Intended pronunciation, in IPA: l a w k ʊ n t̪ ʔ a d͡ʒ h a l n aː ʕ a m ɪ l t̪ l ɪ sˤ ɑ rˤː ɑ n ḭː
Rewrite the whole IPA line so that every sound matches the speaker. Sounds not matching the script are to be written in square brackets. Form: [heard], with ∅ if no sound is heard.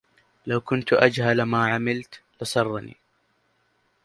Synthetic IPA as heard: l a w k ʊ n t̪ ʔ a d͡ʒ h a l [m] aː ʕ a m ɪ l t̪ l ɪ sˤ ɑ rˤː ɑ n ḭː